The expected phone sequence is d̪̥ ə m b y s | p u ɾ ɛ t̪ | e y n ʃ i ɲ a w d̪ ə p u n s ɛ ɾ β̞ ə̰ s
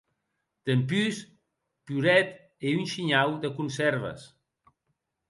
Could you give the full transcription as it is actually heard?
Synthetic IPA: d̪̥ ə m p y s | p u ɾ ɛ t̪ | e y n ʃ i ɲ a w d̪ ə k u n s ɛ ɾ β̞ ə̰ s